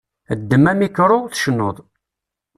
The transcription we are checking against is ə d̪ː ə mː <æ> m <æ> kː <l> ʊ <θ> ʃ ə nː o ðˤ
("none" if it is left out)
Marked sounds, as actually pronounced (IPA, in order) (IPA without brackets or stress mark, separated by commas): æ, i, ɾ, θ